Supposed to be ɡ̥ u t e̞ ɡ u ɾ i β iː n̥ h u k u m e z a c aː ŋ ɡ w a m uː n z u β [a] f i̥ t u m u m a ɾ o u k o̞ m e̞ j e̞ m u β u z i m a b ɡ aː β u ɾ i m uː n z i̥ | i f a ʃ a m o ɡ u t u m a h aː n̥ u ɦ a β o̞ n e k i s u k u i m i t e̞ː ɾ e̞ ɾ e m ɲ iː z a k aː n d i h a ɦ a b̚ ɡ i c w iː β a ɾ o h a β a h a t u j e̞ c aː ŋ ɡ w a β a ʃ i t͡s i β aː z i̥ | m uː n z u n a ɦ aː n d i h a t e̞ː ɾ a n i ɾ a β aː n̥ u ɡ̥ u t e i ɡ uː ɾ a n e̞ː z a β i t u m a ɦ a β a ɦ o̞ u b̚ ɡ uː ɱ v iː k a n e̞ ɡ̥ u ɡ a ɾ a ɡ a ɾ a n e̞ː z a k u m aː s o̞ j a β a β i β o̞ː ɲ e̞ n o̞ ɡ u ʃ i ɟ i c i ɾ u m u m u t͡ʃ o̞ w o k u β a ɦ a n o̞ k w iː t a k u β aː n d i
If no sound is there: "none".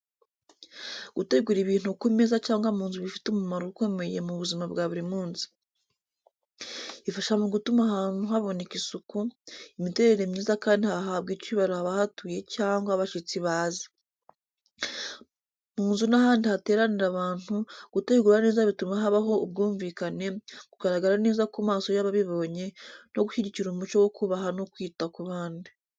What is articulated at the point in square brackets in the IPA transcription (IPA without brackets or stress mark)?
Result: i